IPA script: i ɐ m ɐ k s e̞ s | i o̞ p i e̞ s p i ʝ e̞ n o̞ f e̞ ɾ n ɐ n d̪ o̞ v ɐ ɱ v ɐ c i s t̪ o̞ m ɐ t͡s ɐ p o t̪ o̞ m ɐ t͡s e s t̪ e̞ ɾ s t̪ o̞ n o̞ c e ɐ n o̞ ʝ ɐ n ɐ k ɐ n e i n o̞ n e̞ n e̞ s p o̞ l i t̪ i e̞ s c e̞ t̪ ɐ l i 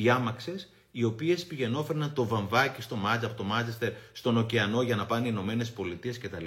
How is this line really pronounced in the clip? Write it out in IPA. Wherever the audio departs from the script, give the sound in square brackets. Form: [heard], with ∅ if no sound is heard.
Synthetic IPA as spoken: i ɐ m ɐ k s e̞ s | i o̞ p i e̞ s p i ʝ e̞ n o̞ f e̞ ɾ n ɐ n [t̪] o̞ v ɐ ɱ v ɐ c i s t̪ o̞ m ɐ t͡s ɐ p o t̪ o̞ m ɐ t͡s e s t̪ e̞ ɾ s t̪ o̞ n o̞ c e ɐ n o̞ ʝ ɐ n ɐ [p] ɐ n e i n o̞ [m] e̞ n e̞ s p o̞ l i t̪ i e̞ s c e̞ t̪ ɐ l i